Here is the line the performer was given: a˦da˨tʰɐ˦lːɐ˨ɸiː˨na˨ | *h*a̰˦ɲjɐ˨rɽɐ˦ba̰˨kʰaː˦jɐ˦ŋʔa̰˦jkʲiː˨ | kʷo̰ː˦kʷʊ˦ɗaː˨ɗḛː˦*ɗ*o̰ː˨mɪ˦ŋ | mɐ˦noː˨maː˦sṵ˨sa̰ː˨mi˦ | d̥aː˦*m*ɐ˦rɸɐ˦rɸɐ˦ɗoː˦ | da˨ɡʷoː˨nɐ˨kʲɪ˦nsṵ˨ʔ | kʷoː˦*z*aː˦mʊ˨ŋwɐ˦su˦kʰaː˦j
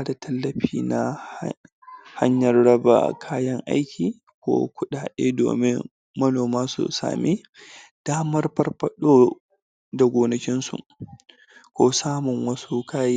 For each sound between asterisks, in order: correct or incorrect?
correct, incorrect: d, correct, incorrect: s

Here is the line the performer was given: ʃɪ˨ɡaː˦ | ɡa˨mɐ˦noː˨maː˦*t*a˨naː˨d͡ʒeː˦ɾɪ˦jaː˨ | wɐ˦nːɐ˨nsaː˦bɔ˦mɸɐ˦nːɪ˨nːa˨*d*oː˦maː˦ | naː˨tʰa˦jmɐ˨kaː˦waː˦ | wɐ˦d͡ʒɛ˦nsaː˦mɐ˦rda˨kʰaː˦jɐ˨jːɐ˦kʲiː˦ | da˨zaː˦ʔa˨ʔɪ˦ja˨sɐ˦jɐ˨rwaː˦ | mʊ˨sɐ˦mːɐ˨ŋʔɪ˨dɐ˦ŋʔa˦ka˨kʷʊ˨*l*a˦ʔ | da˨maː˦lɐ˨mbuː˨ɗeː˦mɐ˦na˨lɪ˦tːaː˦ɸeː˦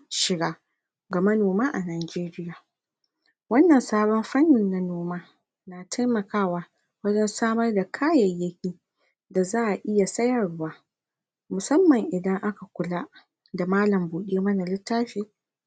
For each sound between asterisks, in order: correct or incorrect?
incorrect: ʔ, incorrect: n, correct

